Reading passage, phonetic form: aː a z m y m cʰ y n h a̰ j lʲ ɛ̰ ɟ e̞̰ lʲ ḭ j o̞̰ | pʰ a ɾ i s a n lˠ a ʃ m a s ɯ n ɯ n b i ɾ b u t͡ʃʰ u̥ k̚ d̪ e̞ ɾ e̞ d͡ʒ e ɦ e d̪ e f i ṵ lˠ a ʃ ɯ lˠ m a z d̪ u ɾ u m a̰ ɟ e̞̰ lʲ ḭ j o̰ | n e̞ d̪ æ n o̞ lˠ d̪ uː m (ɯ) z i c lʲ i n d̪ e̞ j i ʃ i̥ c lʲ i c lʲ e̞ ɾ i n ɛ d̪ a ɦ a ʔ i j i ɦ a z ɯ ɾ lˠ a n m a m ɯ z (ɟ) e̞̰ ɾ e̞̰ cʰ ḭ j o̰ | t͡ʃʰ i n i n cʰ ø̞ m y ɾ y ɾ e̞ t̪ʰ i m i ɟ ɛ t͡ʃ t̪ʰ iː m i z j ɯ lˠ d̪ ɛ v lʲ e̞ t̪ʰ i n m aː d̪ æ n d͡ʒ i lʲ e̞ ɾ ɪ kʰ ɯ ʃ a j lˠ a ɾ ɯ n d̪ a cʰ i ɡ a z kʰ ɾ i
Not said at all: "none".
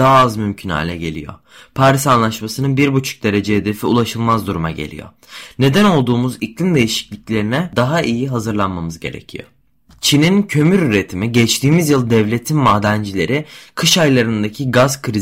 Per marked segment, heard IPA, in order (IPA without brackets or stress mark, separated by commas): u, ɟ